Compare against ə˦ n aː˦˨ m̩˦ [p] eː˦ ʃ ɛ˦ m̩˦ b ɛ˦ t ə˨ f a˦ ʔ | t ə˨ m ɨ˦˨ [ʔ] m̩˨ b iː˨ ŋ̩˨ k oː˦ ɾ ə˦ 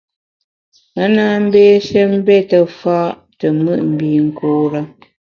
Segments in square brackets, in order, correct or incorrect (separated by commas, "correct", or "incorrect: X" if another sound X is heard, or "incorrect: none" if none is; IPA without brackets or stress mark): incorrect: b, correct